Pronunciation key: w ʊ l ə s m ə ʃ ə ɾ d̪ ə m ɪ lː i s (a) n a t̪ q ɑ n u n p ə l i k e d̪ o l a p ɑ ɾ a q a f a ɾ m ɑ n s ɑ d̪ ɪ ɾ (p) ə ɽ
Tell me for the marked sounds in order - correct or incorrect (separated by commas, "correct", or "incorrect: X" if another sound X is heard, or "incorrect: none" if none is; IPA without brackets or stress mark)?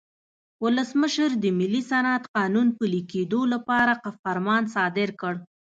correct, incorrect: k